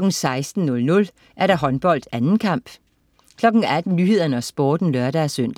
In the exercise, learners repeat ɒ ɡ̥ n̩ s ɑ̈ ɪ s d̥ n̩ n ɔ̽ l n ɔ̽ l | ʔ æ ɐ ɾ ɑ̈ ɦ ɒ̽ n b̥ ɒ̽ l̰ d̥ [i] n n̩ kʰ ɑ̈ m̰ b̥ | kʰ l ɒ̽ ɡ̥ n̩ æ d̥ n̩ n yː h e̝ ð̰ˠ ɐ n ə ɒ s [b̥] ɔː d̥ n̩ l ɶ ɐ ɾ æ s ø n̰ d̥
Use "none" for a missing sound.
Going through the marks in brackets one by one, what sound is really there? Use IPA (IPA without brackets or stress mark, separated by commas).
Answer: æ, b̥